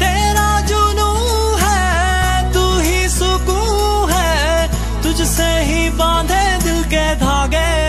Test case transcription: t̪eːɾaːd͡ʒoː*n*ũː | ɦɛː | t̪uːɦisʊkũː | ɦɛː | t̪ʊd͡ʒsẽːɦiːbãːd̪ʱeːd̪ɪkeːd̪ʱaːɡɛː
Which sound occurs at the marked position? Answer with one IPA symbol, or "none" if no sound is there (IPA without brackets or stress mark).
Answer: n